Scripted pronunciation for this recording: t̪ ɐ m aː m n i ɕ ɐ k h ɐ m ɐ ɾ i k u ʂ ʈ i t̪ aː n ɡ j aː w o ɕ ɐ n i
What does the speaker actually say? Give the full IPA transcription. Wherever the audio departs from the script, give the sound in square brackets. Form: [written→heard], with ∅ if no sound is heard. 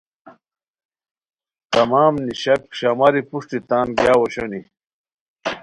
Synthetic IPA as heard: t̪ ɐ m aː m n i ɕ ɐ k [h→ɕ] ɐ m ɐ ɾ i [k→p] u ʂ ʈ i t̪ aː n ɡ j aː w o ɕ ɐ n i